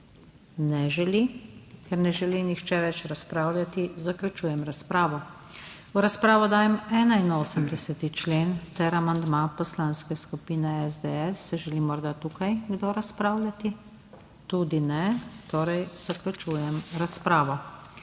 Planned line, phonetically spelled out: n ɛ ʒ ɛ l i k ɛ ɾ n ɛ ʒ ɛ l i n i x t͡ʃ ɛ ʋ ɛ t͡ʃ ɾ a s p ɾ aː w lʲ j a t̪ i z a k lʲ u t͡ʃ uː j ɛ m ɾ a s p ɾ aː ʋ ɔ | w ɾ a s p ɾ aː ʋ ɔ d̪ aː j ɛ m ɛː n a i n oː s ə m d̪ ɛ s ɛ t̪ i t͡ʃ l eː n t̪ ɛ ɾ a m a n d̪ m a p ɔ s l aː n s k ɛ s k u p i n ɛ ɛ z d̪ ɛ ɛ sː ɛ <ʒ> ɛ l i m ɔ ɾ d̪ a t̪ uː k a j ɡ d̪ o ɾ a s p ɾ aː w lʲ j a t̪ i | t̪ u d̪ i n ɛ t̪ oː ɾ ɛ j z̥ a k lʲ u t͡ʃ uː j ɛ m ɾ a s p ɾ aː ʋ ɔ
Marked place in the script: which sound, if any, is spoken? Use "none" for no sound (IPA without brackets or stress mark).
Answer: ʒ